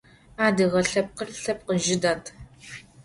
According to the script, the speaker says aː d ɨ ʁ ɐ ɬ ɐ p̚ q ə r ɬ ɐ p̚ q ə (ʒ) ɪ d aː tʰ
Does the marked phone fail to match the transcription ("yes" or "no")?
no